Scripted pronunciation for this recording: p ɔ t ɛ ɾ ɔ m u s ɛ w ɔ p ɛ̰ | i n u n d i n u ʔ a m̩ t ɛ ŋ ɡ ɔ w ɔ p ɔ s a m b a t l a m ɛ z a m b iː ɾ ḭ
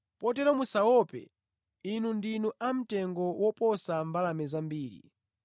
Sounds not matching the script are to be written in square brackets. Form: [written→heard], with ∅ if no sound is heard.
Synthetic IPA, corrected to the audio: p ɔ t ɛ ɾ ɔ m u s [ɛ→a] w ɔ p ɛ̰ | i n u n d i n u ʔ a m̩ t ɛ ŋ ɡ ɔ w ɔ p ɔ s a m b a [t→∅] l a m ɛ z a m b iː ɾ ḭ